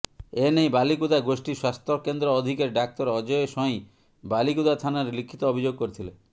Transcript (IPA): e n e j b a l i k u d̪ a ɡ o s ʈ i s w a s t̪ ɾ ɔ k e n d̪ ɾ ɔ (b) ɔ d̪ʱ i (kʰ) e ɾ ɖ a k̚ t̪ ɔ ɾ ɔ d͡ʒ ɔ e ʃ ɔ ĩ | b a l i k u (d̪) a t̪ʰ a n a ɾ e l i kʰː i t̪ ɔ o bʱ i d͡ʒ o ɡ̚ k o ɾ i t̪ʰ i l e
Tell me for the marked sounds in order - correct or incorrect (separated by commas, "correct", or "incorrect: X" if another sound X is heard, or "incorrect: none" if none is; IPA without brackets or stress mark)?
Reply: incorrect: none, incorrect: k, correct